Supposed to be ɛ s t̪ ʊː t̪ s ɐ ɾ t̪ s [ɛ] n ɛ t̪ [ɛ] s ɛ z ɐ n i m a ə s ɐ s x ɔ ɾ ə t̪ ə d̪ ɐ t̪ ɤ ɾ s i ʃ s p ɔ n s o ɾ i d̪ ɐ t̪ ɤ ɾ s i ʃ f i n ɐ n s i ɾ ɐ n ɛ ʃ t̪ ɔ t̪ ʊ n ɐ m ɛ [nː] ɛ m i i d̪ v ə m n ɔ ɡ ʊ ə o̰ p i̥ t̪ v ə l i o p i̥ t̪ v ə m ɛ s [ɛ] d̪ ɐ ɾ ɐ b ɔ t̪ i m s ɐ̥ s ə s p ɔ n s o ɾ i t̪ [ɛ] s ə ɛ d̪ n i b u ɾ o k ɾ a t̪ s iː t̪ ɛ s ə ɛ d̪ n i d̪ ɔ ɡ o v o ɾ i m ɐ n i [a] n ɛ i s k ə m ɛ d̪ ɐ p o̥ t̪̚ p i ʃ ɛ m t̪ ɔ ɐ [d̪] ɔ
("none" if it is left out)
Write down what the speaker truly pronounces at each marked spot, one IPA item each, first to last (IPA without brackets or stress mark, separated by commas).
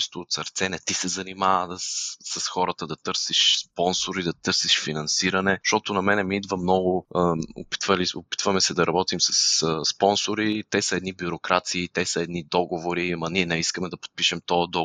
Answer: ɛ, i, n, ɛ, ɛ, ɛ, d̪